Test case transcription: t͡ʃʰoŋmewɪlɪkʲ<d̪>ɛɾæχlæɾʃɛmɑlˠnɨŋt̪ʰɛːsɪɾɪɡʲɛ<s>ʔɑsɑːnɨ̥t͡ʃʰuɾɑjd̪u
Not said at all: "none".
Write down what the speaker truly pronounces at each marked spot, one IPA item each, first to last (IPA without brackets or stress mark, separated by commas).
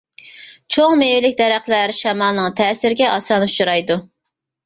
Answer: d̪, none